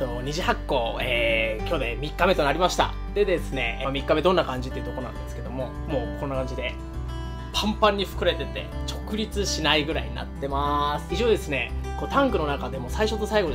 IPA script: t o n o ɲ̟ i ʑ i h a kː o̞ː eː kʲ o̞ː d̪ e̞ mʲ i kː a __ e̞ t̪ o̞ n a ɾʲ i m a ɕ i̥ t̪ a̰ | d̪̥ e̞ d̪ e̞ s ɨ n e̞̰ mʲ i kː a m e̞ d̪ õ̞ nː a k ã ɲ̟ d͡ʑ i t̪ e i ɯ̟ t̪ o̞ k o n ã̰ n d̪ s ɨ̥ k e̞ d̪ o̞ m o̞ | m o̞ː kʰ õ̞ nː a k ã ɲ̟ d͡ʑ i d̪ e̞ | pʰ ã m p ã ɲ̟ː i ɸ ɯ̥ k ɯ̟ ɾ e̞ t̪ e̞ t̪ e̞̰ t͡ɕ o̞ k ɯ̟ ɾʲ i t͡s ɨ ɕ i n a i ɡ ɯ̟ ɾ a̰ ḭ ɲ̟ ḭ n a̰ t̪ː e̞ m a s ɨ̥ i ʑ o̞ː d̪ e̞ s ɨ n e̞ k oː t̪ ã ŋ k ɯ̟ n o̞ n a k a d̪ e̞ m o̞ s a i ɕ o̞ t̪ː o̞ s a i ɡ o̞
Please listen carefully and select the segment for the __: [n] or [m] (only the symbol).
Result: m